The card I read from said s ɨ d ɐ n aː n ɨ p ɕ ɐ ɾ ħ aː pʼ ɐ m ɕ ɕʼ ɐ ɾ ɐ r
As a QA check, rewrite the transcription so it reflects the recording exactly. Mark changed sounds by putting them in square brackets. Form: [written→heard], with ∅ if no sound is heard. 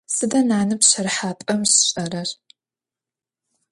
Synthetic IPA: s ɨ d ɐ n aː n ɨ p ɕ ɐ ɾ ħ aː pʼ ɐ m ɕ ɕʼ ɐ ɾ ɐ r